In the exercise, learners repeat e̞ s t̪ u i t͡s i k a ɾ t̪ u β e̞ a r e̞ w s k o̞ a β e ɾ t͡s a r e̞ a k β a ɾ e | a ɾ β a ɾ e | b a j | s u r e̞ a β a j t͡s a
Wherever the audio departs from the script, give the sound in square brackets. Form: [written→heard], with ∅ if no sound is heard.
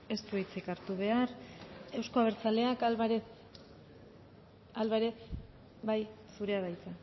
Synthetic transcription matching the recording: e̞ s t̪ u i t͡s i k a ɾ t̪ u β e̞ a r e̞ w s k o̞ a β e ɾ t͡s a [r→l] e̞ a k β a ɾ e | a [ɾ→l] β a ɾ e | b a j | s u [r→ɾ] e̞ a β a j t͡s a